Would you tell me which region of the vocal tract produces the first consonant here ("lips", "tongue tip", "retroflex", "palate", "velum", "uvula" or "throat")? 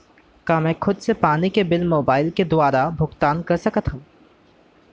velum